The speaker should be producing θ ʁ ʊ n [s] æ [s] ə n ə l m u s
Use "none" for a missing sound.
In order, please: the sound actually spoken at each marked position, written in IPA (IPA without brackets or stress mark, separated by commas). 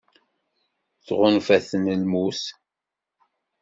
f, θ